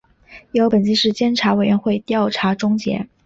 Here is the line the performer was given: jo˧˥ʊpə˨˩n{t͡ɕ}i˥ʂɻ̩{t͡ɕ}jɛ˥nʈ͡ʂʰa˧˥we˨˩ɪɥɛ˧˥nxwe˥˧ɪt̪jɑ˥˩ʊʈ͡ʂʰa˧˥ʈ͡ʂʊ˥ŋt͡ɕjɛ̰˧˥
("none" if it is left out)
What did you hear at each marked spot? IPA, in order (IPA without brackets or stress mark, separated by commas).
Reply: t͡ɕ, t͡ɕ